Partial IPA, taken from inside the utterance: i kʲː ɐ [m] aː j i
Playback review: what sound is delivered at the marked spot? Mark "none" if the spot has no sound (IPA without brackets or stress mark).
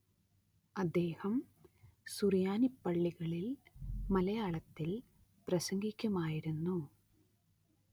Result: m